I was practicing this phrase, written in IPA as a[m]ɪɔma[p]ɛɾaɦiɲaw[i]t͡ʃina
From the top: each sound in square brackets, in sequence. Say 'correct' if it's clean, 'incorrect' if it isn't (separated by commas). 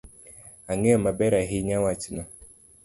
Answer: incorrect, incorrect, incorrect